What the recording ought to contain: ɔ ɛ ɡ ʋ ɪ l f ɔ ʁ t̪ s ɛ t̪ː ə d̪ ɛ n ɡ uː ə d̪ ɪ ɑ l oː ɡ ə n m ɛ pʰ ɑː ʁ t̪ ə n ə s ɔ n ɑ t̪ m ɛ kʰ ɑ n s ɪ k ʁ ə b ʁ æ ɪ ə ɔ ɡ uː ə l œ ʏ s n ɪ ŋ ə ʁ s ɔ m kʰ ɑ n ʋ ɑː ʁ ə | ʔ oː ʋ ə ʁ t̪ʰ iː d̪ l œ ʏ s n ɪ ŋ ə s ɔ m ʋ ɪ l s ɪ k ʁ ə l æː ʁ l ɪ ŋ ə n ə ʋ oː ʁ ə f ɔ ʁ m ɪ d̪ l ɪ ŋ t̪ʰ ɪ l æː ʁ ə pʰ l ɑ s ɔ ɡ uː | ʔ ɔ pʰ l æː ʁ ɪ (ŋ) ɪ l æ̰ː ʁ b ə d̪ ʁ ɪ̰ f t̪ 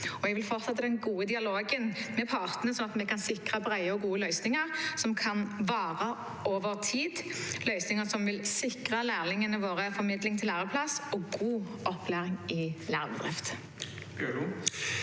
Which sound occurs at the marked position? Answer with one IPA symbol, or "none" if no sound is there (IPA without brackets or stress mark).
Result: ŋ